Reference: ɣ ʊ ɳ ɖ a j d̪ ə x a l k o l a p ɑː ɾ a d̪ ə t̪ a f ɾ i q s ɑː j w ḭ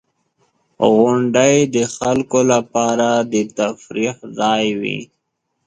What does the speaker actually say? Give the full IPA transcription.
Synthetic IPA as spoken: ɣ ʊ ɳ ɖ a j d̪ ə x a l k o l a p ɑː ɾ a d̪ ə t̪ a f ɾ i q z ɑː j w ḭ